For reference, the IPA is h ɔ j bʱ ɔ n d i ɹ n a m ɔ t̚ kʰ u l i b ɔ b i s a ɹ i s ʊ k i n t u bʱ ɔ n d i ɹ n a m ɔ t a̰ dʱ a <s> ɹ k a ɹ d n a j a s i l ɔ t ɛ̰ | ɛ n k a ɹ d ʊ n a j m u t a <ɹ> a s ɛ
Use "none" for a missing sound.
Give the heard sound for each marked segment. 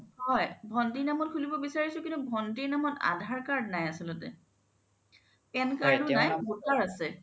none, ɹ

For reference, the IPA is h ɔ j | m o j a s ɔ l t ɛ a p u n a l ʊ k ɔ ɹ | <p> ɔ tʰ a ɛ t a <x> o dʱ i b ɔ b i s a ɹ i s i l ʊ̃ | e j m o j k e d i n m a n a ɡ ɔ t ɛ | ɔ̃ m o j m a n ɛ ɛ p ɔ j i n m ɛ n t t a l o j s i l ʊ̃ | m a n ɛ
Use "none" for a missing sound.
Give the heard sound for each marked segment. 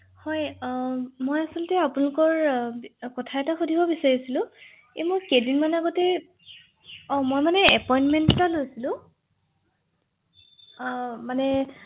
k, x

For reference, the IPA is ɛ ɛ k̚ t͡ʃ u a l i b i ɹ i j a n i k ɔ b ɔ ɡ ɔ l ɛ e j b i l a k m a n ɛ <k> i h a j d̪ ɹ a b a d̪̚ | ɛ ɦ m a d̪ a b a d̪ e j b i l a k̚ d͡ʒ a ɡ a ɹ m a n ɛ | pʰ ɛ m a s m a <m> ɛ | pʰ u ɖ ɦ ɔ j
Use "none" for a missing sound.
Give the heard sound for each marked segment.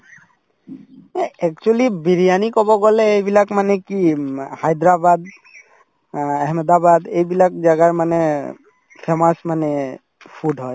k, n

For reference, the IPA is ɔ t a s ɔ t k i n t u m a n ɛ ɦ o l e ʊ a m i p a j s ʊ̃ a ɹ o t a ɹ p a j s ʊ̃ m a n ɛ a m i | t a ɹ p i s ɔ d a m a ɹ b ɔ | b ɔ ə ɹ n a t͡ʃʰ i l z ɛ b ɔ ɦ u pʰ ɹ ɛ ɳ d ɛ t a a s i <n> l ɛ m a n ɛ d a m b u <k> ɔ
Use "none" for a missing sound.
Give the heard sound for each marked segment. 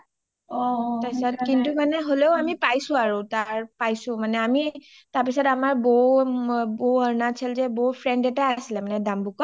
none, k

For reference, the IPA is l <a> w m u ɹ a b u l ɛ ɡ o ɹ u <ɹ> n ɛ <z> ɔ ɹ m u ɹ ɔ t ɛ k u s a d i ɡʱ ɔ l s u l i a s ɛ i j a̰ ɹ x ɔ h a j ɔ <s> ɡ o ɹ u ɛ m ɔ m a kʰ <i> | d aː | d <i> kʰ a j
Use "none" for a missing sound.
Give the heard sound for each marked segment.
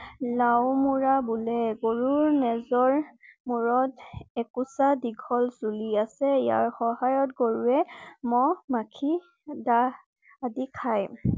a, ɹ, z, t, i, i

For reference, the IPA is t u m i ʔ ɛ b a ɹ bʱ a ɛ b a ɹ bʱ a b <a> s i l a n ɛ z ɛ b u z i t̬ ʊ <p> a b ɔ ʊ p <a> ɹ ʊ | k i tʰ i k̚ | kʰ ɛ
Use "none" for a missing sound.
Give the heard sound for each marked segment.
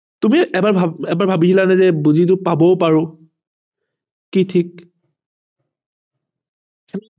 i, p, a

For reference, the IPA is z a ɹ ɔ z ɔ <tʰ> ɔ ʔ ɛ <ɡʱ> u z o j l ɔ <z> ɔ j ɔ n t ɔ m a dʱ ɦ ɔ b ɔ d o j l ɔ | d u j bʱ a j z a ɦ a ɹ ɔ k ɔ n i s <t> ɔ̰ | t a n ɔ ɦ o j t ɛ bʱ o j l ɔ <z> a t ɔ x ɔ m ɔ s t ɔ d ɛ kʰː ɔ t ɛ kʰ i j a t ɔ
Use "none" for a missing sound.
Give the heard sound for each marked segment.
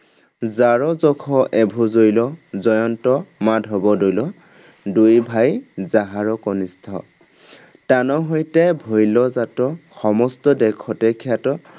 kʰ, bʱ, z, tʰ, z

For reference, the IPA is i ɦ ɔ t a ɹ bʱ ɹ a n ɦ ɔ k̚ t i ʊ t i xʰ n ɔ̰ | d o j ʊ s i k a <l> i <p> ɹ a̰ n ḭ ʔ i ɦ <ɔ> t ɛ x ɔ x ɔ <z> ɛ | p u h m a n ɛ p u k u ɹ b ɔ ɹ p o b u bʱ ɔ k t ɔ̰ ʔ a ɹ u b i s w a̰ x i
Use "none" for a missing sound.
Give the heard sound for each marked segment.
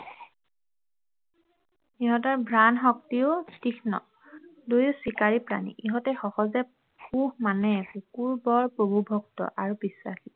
ɹ, p, ɔ, z

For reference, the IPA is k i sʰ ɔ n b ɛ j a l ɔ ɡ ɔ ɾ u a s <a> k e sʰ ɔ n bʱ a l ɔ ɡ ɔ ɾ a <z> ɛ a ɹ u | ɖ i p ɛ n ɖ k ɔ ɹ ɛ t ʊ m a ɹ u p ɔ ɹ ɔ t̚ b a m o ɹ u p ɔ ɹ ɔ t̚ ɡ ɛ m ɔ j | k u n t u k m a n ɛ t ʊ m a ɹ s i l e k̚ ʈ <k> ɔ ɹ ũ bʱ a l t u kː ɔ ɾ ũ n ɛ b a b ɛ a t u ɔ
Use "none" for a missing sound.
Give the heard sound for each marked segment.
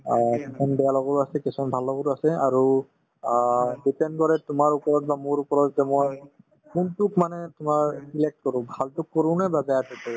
ɛ, s, k

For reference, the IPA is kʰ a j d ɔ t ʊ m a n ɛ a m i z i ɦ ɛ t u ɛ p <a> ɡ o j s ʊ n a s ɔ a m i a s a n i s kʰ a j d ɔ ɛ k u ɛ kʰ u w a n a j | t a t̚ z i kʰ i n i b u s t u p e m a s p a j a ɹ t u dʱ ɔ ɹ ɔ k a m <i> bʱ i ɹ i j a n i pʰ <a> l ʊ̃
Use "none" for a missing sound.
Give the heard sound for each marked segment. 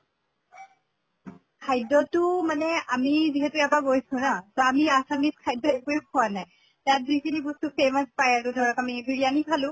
a, i, a

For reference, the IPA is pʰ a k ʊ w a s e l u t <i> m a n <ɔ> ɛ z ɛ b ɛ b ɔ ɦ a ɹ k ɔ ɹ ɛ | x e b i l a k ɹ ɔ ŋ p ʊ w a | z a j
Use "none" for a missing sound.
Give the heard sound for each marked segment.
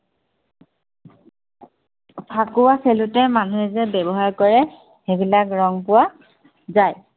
ɛ, u

